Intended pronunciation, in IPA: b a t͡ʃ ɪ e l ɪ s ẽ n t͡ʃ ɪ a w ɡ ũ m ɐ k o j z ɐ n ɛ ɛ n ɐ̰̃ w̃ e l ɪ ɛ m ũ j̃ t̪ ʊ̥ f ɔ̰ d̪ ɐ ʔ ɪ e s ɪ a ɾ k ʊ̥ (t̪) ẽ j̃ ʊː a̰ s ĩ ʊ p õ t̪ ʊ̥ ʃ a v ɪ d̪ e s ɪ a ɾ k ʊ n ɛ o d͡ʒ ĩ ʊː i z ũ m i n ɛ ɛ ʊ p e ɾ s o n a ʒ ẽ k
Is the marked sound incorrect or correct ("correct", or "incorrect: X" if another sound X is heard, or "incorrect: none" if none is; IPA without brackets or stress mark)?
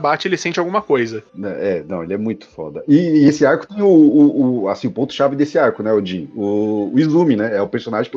correct